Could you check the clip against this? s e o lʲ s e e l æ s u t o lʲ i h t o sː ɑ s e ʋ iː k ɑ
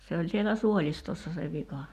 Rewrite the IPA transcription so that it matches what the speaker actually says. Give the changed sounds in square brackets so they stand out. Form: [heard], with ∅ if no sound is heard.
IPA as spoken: s e o lʲ s [i] e l æ s u [∅] o lʲ i [s] t o sː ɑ s e ʋ [i] k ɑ